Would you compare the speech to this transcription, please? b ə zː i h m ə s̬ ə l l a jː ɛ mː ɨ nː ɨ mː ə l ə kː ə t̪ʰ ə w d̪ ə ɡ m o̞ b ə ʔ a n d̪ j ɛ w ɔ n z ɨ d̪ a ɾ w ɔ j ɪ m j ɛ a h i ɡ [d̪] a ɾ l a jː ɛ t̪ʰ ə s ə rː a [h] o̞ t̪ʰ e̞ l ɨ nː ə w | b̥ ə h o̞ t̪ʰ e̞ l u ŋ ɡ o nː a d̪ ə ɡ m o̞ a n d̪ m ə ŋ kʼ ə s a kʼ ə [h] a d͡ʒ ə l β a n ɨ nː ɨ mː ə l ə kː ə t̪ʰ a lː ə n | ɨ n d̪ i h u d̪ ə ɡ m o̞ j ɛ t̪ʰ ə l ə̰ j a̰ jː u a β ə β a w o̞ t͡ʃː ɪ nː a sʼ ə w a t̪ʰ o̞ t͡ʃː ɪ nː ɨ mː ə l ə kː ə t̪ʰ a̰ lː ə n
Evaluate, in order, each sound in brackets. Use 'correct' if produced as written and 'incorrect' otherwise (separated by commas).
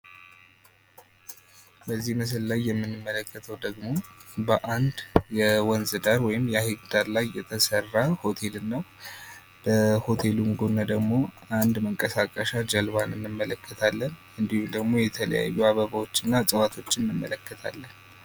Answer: correct, correct, incorrect